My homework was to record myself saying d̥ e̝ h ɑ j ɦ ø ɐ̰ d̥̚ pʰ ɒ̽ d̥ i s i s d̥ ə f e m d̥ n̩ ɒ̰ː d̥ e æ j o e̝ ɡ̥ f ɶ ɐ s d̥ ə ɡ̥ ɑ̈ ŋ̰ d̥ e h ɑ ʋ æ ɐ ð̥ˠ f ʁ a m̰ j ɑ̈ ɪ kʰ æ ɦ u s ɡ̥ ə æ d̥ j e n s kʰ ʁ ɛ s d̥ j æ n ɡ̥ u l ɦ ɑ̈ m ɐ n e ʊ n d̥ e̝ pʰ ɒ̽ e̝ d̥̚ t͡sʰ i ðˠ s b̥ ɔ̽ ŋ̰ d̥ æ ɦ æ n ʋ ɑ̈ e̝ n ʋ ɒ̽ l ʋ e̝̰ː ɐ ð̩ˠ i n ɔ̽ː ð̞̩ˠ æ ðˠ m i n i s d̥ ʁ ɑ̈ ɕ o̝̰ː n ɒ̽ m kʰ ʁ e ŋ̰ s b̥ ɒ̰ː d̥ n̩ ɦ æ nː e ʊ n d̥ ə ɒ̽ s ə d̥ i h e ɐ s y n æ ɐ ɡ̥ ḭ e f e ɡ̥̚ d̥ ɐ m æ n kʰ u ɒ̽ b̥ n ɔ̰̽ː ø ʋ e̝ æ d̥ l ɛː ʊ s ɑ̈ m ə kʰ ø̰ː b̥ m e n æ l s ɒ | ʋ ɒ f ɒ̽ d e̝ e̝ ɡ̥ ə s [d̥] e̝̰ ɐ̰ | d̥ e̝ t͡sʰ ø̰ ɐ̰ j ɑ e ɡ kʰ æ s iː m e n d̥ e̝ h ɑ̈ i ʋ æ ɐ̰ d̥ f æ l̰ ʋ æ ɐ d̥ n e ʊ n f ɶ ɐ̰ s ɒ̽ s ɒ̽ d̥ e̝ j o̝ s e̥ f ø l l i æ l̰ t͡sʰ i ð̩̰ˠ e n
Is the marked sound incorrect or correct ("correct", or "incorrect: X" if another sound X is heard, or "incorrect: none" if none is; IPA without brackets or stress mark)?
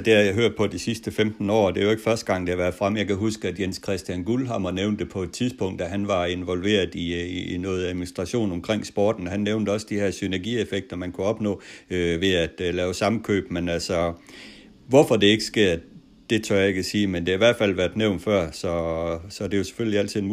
incorrect: ɡ̥